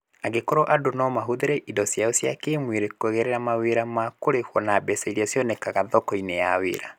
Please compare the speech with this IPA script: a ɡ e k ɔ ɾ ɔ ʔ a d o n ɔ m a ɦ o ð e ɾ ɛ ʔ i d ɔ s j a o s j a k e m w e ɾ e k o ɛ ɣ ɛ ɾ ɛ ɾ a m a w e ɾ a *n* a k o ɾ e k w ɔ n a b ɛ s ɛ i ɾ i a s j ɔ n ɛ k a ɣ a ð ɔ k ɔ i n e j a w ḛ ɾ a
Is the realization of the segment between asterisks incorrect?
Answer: yes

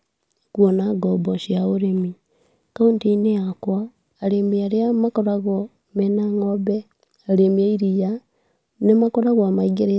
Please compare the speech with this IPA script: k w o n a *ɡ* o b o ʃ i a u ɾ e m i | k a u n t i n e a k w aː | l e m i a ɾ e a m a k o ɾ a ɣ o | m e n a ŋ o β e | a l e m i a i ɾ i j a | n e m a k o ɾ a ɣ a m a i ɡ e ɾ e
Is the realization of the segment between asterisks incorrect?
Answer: no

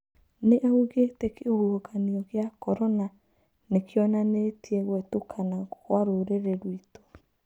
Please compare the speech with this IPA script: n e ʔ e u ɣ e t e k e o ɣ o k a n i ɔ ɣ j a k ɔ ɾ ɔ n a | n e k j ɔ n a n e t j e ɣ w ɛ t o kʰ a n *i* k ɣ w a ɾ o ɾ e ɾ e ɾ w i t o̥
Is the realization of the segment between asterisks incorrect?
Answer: yes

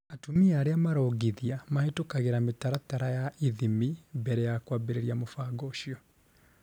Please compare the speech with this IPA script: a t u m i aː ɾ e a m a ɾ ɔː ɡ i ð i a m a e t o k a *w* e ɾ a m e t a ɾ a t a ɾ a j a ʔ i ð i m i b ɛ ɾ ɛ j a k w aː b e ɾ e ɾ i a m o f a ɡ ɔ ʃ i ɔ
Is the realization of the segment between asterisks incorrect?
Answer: yes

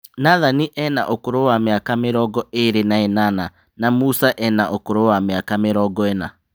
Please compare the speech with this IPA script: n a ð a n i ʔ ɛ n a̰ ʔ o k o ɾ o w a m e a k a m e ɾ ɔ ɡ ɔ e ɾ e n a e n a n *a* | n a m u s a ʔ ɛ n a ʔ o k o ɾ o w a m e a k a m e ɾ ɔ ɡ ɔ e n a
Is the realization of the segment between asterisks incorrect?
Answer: no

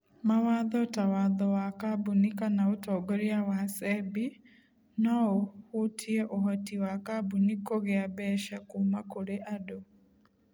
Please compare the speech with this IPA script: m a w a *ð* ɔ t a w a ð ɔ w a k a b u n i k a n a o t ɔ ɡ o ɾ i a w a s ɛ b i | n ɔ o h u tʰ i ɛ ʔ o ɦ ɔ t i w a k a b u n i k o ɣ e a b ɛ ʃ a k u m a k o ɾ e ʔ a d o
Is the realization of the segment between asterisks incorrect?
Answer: no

